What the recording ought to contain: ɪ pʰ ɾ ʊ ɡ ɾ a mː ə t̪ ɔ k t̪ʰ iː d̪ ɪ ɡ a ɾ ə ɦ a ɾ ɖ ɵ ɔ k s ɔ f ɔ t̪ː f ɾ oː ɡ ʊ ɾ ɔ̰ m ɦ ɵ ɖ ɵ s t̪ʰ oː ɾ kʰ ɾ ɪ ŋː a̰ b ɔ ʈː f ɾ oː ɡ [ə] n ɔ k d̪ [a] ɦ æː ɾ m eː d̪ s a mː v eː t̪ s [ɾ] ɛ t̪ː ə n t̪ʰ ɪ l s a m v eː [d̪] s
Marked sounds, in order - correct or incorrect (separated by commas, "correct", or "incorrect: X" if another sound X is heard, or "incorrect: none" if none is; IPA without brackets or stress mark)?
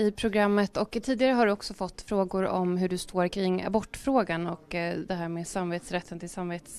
incorrect: a, incorrect: ɛ, correct, incorrect: t̪